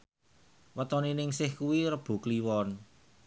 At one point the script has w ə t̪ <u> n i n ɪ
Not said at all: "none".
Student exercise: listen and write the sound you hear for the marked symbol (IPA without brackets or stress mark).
ɔ